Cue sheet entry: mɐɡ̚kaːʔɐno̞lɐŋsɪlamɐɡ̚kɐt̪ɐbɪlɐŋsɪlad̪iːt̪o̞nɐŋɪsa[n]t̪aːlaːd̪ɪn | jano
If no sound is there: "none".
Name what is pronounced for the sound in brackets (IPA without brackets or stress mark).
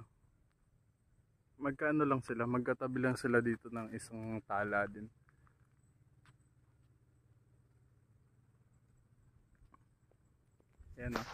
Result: ŋ